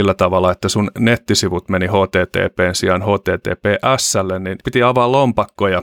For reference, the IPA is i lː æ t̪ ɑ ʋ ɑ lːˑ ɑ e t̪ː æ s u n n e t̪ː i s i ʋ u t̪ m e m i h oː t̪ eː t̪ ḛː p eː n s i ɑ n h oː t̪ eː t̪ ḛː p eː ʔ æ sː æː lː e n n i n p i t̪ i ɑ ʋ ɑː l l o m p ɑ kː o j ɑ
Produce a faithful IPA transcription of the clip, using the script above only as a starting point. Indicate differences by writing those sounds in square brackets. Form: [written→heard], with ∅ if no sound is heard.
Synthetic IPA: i lː æ t̪ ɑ ʋ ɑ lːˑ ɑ e t̪ː æ s u n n e t̪ː i s i ʋ u t̪ m e [m→n] i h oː t̪ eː t̪ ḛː p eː n s i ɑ n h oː t̪ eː t̪ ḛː p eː ʔ æ sː [æː→æ] lː e n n i n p i t̪ i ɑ ʋ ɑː l l o m p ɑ kː o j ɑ